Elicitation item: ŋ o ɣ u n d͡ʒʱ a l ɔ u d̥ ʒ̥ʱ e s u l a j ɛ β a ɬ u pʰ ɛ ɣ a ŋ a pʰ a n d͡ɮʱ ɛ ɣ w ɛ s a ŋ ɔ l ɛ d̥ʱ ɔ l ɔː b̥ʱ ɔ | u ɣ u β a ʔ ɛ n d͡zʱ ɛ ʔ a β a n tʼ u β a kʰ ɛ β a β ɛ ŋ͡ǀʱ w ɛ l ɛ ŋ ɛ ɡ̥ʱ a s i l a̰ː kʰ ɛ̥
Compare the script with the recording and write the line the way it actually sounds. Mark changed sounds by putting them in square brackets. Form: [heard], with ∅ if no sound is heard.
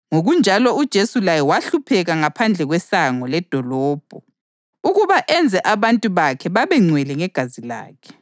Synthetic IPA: ŋ o ɣ u n d͡ʒʱ a l ɔ u d̥ ʒ̥ʱ e s u l a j ɛ [w] a ɬ u pʰ ɛ ɣ a ŋ a pʰ a n d͡ɮʱ ɛ ɣ w ɛ s a ŋ ɔ l ɛ d̥ʱ ɔ l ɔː b̥ʱ ɔ | u ɣ u β a ʔ ɛ n d͡zʱ ɛ ʔ a β a n tʼ u β a kʰ ɛ β a β ɛ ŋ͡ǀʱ w ɛ l ɛ ŋ ɛ ɡ̥ʱ a [z] i l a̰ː kʰ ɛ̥